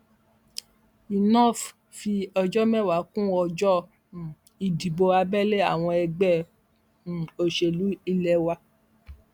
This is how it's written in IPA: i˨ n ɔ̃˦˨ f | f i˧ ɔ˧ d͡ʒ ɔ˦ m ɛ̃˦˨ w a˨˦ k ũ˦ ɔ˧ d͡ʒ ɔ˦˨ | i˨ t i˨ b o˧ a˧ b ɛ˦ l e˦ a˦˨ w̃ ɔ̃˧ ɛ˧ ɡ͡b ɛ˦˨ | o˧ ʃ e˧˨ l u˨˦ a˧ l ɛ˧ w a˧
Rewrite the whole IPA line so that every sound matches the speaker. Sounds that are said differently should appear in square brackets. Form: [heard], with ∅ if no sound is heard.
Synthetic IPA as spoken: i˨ n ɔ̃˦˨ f | f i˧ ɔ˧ d͡ʒ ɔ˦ m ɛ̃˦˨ w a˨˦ k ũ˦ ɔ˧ d͡ʒ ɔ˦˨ | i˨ [d] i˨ b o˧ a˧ b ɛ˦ l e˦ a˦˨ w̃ ɔ̃˧ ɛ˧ ɡ͡b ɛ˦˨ | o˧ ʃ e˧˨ l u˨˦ [i˧] l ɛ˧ w a˧